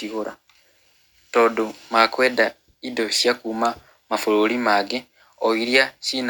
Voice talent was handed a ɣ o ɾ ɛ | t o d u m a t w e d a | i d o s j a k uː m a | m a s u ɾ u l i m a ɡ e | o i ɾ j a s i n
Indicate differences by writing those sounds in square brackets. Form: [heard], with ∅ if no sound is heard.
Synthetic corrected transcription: [i] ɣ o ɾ [a] | t o d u m a [k] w e d a | i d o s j a k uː m a | m a [f] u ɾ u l i m a ɡ e | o i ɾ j a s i n